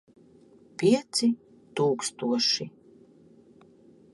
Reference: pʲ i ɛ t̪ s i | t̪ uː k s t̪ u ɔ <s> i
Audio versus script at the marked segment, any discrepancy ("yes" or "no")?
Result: yes